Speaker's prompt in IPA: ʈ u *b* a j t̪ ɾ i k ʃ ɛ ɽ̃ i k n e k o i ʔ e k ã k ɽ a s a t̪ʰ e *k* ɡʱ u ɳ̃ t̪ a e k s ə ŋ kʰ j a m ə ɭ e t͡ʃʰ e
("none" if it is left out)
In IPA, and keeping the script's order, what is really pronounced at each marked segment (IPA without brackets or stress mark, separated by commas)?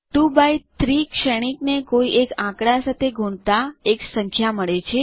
b, none